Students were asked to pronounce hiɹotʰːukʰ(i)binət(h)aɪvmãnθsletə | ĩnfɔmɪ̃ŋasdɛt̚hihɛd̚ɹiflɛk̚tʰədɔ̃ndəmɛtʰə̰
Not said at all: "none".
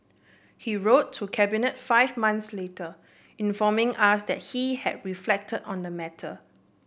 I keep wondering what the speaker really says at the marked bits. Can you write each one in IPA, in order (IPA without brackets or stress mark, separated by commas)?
ɛ, f